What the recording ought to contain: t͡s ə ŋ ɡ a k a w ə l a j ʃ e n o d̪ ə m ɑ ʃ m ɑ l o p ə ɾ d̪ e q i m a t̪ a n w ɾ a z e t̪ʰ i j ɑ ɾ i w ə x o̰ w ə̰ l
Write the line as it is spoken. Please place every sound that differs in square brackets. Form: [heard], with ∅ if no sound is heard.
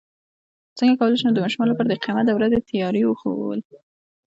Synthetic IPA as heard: t͡s ə ŋ ɡ a k a w ə l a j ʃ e n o d̪ ə m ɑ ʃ m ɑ l o p ə ɾ d̪ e q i m a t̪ a [∅] w ɾ a z e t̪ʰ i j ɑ ɾ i w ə x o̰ w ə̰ l

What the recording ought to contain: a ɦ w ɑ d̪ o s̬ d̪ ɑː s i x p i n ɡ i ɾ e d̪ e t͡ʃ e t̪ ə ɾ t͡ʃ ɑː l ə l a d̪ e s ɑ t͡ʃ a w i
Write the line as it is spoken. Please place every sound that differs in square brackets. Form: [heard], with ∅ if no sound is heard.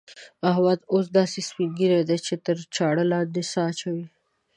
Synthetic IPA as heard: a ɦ w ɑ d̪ o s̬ d̪ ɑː s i [s] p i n ɡ i ɾ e d̪ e t͡ʃ e t̪ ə ɾ t͡ʃ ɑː [ɽ] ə l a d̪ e s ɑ t͡ʃ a w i

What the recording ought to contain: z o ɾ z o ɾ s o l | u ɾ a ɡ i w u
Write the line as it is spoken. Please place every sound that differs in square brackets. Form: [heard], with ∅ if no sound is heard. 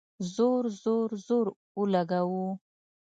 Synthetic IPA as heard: z o ɾ z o ɾ [z] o [ɾ] | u [l] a ɡ [a] w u

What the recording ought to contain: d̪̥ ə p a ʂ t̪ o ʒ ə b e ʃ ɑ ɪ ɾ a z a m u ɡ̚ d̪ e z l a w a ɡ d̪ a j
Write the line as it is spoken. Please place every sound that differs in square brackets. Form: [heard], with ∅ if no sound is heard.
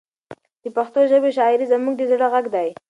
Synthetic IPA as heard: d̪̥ ə p a [x] t̪ o ʒ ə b e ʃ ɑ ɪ ɾ [i] z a m u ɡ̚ d̪ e z [ɽ] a [ɣ] a ɡ d̪ a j

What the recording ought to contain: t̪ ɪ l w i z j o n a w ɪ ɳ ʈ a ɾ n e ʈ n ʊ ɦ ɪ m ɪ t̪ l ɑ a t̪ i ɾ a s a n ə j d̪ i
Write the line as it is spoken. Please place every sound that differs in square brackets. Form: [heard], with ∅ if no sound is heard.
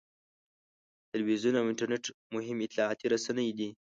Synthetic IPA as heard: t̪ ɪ l w i z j [u] n a w ɪ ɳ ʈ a ɾ n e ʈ [m] ʊ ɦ ɪ m ɪ t̪ l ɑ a t̪ i ɾ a s a n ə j d̪ i

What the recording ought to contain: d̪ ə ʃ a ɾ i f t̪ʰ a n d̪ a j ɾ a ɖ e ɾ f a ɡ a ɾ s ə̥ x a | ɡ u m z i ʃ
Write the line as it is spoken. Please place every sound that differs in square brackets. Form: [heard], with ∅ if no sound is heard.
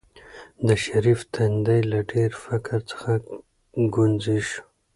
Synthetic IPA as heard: d̪ ə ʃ a ɾ i f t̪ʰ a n d̪ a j [l] a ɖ e ɾ f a [k] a ɾ [t͡s] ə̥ x a | ɡ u [n] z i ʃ

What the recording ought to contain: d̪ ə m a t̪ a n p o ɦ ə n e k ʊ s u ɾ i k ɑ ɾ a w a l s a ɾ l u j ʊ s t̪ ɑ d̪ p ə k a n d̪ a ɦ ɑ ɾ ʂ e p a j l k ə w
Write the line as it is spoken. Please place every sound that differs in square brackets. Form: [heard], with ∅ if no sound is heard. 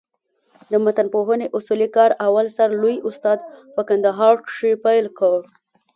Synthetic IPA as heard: d̪ ə m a t̪ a n p o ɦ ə n e [ʔ] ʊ s u [l] i k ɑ ɾ a w a l s a ɾ l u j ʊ s t̪ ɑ d̪ p ə k a n d̪ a ɦ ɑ ɾ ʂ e p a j l k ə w

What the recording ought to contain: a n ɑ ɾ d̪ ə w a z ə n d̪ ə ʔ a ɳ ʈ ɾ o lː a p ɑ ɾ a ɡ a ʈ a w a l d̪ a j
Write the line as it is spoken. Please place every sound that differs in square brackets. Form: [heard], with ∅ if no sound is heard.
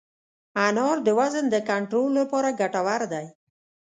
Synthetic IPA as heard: a n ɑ ɾ d̪ ə w a z ə n d̪ ə [k] a ɳ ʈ ɾ o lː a p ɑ ɾ a ɡ a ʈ a w a [ɾ] d̪ a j

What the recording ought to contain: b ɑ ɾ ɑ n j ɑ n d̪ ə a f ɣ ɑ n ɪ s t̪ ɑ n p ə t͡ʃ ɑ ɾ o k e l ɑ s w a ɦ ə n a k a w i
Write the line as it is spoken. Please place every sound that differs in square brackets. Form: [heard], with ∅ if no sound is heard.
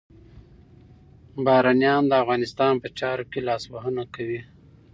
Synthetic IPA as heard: b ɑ ɾ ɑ n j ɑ n d̪ ə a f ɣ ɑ n ɪ s t̪ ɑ n p ə t͡ʃ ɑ ɾ o k e l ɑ s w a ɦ ə n a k a w i

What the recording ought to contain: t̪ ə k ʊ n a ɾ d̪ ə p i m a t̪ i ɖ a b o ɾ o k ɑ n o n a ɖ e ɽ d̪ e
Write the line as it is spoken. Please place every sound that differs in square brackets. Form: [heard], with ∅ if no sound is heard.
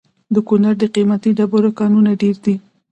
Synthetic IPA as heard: [d̪] ə k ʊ n a ɾ d̪ ə [q] i m a t̪ i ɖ a b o ɾ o k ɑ n [u] n a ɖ e [ɾ] d̪ [i]

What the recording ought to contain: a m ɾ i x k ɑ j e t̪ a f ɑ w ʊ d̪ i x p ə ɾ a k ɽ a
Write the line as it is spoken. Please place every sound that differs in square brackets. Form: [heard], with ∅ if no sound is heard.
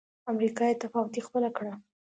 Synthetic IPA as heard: a m ɾ i [∅] k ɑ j e t̪ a f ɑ w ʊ [t̪] i x p ə [l] a k ɽ a

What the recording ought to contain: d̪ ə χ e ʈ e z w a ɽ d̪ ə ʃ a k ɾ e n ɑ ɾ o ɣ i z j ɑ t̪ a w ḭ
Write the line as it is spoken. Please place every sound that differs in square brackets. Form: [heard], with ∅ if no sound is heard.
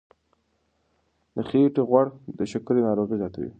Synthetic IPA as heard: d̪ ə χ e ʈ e [ɣ] w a ɽ d̪ ə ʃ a k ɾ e n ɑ ɾ o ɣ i z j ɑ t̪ a w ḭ

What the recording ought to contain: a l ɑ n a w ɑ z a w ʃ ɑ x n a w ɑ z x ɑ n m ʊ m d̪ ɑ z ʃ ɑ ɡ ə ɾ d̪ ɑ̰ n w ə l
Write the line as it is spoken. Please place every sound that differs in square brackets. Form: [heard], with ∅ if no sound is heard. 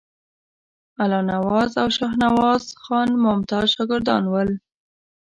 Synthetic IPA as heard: a l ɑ n a w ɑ z a w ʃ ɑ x n a w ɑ z x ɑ n m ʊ m [t̪] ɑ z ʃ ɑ ɡ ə ɾ d̪ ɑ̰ n w ə l

